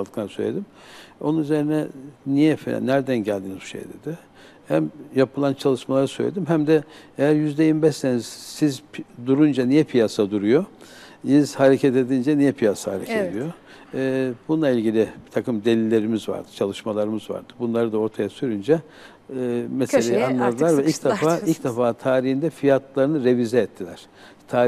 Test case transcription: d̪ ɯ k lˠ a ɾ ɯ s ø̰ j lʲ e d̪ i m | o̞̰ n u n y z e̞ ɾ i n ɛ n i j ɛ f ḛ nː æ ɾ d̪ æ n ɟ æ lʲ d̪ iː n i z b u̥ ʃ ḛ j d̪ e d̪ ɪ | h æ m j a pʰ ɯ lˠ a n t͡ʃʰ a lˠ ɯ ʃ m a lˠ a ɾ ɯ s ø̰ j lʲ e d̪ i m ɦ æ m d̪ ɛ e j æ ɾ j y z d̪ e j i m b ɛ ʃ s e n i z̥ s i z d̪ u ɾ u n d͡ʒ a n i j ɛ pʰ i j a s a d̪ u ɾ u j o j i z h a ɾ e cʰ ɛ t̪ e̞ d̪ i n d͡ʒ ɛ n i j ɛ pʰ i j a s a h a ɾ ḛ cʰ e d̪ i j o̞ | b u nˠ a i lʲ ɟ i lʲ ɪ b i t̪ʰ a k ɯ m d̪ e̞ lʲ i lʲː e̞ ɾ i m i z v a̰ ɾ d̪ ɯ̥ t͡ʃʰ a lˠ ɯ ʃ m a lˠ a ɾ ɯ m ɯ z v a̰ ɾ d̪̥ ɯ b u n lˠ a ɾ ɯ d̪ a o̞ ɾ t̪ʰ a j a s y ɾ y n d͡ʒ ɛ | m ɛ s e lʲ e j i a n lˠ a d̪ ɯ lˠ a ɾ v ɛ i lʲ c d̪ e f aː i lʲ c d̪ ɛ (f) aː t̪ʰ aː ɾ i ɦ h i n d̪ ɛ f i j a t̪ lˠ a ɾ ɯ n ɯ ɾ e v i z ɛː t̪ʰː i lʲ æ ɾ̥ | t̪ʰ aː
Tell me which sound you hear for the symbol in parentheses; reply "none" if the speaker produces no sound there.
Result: f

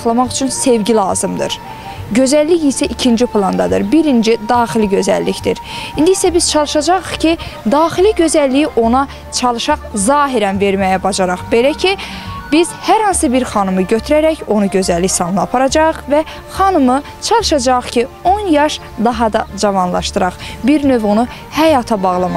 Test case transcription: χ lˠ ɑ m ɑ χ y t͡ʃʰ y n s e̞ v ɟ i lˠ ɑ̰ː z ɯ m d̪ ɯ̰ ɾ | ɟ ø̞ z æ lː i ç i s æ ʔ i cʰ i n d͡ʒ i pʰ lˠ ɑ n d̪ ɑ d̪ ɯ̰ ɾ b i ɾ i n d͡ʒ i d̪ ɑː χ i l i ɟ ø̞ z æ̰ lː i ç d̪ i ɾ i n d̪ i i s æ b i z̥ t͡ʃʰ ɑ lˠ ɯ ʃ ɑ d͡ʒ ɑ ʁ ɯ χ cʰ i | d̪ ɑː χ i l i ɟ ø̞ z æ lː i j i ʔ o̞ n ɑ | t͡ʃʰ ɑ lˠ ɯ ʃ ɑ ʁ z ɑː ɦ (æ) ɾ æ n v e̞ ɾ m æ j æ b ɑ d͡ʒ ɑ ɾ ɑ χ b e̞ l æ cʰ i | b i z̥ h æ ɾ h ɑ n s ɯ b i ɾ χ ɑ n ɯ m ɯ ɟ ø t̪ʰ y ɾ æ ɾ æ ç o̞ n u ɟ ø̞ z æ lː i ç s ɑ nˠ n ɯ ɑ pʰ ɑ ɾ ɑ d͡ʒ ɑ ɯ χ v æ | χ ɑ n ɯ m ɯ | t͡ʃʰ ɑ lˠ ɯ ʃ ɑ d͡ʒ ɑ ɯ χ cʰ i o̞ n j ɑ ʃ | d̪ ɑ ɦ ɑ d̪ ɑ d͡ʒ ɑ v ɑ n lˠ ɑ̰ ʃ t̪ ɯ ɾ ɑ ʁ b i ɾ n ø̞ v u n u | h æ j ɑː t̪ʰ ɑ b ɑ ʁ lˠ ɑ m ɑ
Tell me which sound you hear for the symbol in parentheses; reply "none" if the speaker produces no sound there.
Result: i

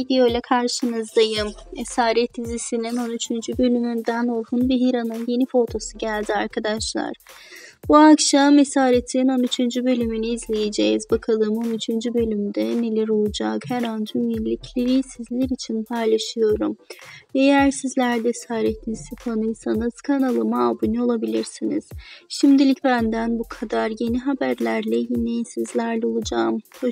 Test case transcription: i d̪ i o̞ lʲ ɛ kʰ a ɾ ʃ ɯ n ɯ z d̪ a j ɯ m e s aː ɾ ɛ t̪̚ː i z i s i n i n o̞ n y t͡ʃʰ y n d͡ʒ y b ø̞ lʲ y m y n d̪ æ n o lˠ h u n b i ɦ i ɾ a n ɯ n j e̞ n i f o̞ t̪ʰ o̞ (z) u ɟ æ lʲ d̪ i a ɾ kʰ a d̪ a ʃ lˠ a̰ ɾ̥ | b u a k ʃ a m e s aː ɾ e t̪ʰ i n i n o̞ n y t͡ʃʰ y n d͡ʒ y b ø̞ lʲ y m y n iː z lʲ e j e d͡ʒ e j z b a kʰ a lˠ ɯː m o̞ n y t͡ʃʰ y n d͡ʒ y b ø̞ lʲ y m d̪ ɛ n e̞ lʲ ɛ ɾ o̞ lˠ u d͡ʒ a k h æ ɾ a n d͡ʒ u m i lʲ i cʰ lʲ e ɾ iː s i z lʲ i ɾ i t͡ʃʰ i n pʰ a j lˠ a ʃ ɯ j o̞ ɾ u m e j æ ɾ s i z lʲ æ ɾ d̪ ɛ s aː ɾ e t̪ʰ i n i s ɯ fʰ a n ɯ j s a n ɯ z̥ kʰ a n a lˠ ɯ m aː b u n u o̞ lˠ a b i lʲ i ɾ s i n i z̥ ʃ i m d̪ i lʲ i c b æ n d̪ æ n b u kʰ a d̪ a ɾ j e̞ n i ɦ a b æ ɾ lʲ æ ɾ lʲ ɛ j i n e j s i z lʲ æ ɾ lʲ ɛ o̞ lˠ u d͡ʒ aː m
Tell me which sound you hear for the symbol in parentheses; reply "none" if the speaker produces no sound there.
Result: s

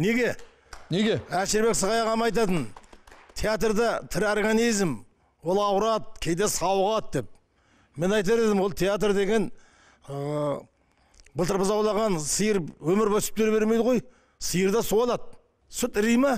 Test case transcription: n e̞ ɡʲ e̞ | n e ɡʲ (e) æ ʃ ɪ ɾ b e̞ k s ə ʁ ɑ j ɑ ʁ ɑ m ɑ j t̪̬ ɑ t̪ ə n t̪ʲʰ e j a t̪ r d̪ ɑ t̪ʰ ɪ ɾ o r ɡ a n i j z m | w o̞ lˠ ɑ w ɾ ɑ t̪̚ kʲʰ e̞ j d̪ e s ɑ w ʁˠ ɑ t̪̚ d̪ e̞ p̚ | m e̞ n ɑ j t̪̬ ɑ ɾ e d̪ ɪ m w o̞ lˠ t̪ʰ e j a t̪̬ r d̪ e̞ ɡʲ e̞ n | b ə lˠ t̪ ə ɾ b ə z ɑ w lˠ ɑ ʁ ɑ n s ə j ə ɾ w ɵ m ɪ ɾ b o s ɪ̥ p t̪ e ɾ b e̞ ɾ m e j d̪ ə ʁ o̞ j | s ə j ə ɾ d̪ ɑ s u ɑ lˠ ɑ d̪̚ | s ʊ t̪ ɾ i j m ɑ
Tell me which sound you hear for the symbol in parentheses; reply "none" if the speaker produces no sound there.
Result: e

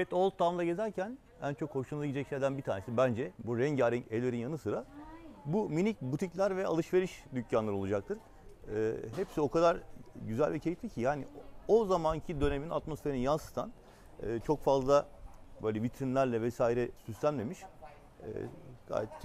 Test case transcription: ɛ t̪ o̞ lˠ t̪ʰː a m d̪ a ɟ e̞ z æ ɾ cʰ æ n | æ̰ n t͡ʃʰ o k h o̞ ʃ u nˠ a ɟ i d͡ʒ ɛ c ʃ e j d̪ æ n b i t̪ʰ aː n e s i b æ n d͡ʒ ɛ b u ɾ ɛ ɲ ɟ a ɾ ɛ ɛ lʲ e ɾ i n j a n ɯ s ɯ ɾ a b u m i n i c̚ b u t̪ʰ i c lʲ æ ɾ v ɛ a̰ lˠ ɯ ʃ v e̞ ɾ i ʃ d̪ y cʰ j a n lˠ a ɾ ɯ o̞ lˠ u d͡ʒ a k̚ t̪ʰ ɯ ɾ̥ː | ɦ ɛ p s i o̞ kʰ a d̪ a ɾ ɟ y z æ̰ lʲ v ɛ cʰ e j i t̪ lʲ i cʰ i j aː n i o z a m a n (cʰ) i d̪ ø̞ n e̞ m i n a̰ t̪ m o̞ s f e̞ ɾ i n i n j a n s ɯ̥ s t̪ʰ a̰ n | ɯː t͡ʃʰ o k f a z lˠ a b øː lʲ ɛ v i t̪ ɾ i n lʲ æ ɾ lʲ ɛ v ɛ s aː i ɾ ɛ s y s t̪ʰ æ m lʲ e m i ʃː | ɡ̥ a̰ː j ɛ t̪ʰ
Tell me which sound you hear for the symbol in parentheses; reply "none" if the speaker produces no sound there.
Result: cʰ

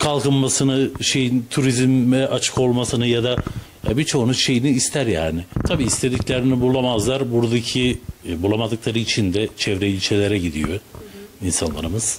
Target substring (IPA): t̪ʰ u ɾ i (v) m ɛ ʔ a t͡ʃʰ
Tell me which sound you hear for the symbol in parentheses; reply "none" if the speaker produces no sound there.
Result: z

